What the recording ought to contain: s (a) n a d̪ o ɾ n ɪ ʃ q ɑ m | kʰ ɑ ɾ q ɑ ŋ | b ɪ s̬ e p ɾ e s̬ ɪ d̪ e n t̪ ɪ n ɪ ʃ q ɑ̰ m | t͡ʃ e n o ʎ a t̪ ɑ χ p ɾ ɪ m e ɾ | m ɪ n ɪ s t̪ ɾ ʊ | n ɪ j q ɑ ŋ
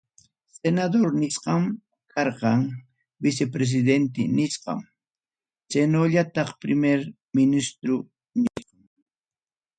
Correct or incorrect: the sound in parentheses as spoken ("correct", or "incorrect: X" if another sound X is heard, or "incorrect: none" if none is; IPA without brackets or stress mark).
incorrect: e